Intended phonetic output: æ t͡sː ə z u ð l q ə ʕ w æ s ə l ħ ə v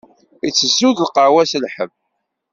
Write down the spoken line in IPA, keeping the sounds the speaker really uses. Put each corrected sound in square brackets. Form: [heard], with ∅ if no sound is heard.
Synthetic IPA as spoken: [i] t͡sː ə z u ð l q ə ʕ w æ s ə l ħ ə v